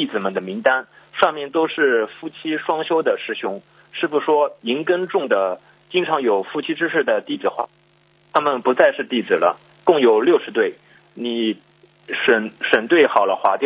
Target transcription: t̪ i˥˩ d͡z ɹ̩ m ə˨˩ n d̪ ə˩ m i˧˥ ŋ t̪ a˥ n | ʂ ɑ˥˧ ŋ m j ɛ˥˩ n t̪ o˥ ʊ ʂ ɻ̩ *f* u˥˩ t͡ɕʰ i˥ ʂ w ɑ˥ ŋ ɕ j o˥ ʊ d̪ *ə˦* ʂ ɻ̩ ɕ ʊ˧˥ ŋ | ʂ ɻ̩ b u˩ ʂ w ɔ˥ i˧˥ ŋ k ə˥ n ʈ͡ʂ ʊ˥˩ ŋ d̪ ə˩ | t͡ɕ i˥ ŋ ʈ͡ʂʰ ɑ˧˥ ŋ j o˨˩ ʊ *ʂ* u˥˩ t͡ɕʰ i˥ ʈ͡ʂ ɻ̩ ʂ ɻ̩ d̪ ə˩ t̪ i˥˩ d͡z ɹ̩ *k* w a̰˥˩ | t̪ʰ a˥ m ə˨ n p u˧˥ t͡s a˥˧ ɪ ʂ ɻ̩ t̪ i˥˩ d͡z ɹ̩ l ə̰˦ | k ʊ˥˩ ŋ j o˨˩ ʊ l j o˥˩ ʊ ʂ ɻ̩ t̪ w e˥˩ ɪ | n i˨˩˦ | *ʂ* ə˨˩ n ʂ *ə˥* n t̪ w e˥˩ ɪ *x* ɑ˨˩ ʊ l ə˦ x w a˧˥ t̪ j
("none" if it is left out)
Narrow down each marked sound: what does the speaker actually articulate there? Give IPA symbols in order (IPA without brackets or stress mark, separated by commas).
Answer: f, ə˨, f, x, ʂ, ə˨˩, x